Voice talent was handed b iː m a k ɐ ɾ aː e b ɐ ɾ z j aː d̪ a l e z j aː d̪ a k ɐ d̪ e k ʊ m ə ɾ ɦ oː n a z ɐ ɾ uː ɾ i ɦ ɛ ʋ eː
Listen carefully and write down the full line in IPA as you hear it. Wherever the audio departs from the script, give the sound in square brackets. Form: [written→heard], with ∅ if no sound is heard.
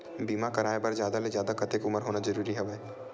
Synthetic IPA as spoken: b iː m a k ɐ ɾ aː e b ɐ ɾ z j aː d̪ a l e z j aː d̪ a k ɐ [d̪→t̪] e k ʊ m ə ɾ ɦ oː n a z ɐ ɾ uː ɾ i ɦ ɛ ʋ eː